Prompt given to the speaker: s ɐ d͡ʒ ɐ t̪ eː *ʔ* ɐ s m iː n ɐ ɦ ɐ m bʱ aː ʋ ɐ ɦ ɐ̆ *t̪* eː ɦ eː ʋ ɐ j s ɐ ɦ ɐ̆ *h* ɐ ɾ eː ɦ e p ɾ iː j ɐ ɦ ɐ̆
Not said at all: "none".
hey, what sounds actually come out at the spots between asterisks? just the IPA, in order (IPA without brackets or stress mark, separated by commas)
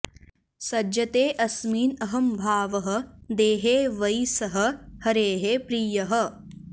ʔ, d̪, h